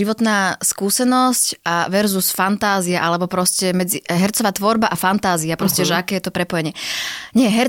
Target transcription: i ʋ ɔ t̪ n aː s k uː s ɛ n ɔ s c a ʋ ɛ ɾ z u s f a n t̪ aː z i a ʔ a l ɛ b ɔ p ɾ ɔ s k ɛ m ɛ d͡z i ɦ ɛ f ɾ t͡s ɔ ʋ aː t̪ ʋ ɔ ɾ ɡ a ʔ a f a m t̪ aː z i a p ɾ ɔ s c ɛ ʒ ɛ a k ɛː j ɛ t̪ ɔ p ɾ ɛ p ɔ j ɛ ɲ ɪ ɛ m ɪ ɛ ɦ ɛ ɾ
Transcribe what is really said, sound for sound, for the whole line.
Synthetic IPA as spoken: i ʋ ɔ t̪ n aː s k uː s ɛ n ɔ s c a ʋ ɛ ɾ z u s f a n t̪ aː z i a ʔ a l ɛ b ɔ p ɾ ɔ s c ɛ m ɛ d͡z i ɦ ɛ ɾ t͡s ɔ ʋ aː t̪ ʋ ɔ ɾ b a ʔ a f a n t̪ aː z i a p ɾ ɔ s c ɛ ʒ ɛ a k ɛː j ɛ t̪ ɔ p ɾ ɛ p ɔ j ɛ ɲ ɪ ɛ ɲ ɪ ɛ ɦ ɛ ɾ